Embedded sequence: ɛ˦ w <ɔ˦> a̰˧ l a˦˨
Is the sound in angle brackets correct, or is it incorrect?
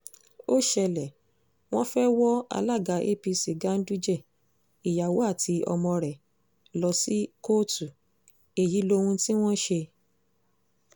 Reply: correct